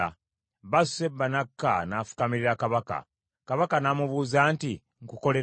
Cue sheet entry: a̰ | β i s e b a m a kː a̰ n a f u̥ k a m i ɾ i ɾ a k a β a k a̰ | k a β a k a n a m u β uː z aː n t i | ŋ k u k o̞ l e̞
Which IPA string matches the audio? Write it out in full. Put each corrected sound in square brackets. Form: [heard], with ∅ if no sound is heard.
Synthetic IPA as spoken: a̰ | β [a] s e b a [n] a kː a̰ n a f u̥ k a m i ɾ i ɾ a k a β a k a̰ | k a β a k a n a m u β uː z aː n t i | ŋ k u k o̞ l e̞

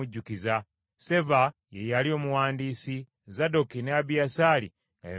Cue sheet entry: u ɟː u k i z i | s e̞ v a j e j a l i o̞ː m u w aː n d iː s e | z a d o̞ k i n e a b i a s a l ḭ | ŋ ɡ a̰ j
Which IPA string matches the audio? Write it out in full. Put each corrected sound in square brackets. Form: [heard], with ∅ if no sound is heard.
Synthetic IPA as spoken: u ɟː u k i z [a] | s e̞ v a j e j a l i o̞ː m u w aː n d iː s [i] | z a d o̞ k i n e a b i a s a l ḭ | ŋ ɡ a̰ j

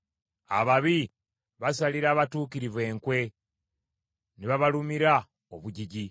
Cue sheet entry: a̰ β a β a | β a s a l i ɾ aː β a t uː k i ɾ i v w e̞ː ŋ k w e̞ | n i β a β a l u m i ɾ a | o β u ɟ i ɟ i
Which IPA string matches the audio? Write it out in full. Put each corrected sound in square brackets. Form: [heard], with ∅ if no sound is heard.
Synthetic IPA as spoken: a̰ β a β [i] | β a s a l i ɾ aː β a t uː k i ɾ i v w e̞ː ŋ k w e̞ | n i β a β a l u m i ɾ a | o β u ɟ i ɟ i

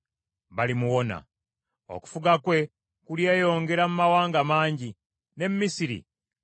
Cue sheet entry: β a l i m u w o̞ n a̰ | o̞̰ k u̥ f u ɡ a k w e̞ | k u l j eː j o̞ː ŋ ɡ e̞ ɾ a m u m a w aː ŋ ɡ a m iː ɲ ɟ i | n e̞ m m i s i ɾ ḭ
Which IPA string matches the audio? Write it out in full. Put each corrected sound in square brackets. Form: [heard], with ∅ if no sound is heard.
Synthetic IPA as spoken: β a l i m u w o̞ n a̰ | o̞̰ k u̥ f u ɡ a k w e̞ | k u l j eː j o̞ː ŋ ɡ e̞ ɾ a m u m a w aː ŋ ɡ a m [aː] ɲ ɟ i | n e̞ m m i s i ɾ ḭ

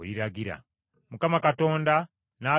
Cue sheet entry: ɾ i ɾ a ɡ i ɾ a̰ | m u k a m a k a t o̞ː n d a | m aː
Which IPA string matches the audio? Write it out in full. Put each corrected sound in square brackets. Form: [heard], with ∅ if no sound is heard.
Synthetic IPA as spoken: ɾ i ɾ a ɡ i ɾ a̰ | m u k a m a k a t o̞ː n d a | [n] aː

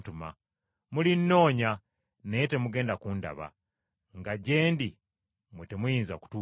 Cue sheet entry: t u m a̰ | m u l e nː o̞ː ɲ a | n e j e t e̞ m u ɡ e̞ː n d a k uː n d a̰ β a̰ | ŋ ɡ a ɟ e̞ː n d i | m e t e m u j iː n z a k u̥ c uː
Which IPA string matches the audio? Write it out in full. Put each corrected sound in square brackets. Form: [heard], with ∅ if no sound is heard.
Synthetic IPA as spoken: t u m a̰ | m u l [i] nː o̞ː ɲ a | n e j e t e̞ m u ɡ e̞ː n d a k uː n d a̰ β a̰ | ŋ ɡ a ɟ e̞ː n d i | m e t e m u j iː n z a k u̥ [t] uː

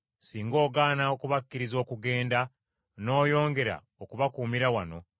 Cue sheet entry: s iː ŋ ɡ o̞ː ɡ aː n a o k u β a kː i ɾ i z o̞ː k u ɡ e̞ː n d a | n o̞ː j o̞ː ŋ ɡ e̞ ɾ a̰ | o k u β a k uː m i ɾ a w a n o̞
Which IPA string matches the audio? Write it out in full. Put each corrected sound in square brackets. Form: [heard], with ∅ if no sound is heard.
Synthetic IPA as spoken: s iː ŋ ɡ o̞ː ɡ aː n a o k u β a kː i ɾ i z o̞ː k u ɡ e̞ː n d a | n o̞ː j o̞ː ŋ ɡ e̞ ɾ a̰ | o k u β a k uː m i ɾ a w a n o̞

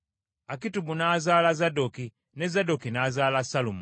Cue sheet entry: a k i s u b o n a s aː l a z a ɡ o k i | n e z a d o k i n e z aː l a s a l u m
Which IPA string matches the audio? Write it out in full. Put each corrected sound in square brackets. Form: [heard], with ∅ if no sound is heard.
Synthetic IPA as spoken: a k i [t] u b [u] n a [z] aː l a z a [d] o k i | n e z a d o k i n [a] z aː l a s a l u m

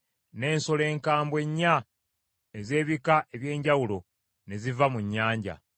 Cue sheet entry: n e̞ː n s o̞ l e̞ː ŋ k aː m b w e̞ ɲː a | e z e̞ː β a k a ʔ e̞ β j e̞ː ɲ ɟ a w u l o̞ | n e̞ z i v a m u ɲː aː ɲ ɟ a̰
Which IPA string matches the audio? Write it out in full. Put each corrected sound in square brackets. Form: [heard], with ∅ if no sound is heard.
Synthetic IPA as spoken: n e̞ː n s o̞ l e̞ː ŋ k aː m b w e̞ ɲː a | e z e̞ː β [i] k a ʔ e̞ β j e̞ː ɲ ɟ a w u l o̞ | n e̞ z i v a m u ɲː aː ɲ ɟ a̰

